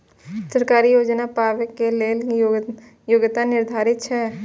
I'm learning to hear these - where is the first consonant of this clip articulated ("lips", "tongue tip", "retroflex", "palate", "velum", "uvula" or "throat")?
tongue tip